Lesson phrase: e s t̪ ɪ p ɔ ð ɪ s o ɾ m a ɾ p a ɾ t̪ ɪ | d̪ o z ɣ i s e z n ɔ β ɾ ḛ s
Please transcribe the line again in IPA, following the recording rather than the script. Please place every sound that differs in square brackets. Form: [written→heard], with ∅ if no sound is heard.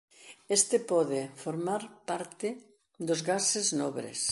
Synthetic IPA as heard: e s t̪ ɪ p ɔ ð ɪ [s→f] o ɾ m a ɾ p a ɾ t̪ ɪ | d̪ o z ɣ [i→a] s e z n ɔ β ɾ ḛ s